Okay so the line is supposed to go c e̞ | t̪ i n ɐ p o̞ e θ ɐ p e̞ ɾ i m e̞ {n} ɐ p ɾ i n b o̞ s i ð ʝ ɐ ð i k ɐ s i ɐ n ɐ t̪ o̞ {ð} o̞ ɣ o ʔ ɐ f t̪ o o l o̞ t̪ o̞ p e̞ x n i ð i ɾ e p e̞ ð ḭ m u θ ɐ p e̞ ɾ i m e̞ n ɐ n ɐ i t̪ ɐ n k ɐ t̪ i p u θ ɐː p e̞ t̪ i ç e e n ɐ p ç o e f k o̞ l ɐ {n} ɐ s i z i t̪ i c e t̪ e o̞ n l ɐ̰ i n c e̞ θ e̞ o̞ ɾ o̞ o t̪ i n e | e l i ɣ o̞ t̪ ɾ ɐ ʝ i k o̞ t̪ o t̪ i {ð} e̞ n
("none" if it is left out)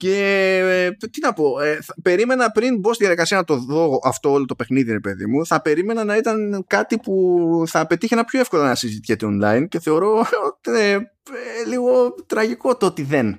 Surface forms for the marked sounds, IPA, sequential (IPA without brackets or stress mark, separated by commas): n, ð, n, ð